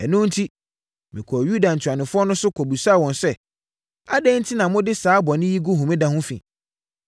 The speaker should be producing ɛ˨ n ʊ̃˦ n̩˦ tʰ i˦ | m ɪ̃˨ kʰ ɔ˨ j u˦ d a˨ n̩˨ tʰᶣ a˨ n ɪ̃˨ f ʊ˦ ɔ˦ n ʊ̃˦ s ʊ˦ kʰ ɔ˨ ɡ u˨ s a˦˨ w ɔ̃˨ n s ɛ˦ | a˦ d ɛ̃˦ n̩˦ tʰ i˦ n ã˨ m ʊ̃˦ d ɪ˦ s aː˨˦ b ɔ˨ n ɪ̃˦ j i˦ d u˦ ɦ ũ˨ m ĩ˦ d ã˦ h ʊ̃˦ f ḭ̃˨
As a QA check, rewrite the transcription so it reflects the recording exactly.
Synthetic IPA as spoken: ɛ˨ n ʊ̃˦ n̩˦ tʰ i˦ | m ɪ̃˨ kʰ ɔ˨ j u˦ d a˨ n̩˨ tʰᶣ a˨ n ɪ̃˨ f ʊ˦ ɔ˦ n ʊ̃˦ s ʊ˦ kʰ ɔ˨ b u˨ s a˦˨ w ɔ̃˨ n s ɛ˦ | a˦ d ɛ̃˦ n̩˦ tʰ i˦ n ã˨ m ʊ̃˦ d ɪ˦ s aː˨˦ b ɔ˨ n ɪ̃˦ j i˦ ɡ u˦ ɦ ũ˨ m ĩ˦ d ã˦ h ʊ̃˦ f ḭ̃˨